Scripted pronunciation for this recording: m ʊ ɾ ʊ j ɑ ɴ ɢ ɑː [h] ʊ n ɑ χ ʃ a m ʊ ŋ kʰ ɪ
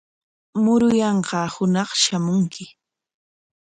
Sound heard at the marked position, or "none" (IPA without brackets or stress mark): h